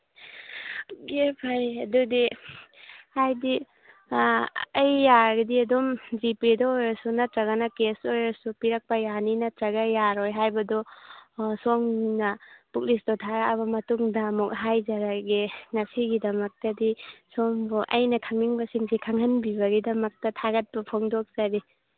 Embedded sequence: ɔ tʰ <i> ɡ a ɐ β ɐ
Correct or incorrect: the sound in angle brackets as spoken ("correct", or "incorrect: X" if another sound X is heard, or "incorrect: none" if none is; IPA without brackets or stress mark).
incorrect: a